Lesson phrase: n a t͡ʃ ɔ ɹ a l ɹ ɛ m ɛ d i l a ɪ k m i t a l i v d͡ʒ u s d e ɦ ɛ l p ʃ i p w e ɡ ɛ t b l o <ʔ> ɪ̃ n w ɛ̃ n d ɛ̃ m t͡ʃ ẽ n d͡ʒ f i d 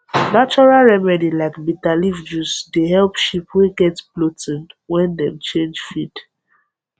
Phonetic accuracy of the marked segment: incorrect: t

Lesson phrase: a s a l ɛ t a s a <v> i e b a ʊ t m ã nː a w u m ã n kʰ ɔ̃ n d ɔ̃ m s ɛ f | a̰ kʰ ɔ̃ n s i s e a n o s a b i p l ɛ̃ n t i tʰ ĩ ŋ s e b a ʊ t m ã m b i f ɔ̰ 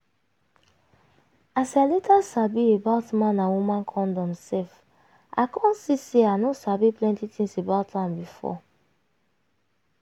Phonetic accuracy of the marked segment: incorrect: b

